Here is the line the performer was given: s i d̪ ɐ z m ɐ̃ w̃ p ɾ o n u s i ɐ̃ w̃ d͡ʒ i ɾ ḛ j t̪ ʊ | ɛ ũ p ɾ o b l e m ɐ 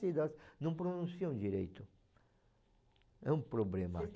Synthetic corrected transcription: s i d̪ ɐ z n ɐ̃ w̃ p ɾ o n ũ s i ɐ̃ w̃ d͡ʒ i ɾ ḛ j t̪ ʊ | ɛ ũ p ɾ o b l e m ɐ